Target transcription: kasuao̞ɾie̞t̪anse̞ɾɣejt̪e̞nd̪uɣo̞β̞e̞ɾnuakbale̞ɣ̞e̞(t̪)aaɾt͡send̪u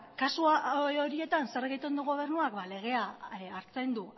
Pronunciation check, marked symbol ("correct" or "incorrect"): incorrect